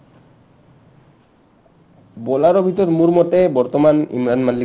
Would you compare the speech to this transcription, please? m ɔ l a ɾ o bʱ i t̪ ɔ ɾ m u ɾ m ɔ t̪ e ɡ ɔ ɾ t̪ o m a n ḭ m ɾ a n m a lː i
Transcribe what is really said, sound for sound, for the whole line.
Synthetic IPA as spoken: b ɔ l a ɾ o bʱ i t̪ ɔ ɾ m u ɾ m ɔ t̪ e b ɔ ɾ t̪ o m a n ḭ m ɾ a n m a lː i